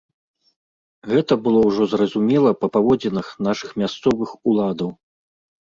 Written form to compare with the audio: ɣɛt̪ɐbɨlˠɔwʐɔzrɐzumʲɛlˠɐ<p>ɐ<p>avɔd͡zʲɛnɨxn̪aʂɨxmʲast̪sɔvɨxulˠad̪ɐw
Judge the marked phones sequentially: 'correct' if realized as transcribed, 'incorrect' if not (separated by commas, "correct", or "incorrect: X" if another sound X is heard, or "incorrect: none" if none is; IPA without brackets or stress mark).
correct, correct